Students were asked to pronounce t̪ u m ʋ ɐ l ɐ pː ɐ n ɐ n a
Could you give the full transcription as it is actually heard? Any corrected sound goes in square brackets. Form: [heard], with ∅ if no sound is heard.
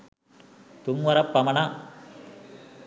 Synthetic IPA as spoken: t̪ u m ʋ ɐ [ɾ] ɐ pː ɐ [m] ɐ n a